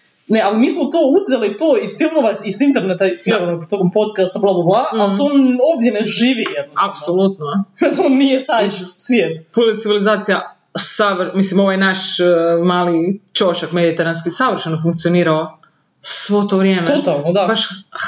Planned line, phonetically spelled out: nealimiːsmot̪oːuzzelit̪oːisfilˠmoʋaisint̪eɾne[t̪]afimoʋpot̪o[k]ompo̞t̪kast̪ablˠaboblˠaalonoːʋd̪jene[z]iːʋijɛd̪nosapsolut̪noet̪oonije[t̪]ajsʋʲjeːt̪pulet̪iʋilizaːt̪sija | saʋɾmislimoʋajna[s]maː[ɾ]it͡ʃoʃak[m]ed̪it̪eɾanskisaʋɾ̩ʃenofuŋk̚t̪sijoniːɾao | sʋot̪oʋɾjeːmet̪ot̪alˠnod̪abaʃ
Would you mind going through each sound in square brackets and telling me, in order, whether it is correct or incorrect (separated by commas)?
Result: correct, correct, incorrect, correct, incorrect, incorrect, correct